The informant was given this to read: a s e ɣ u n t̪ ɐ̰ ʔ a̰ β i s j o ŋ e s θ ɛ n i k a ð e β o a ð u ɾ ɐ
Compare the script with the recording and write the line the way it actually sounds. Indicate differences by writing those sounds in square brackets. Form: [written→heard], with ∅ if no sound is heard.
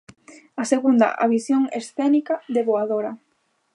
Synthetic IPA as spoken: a s e ɣ u n [t̪→d̪] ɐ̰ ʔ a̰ β i s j o ŋ e s θ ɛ n i k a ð e β o a ð [u→o] ɾ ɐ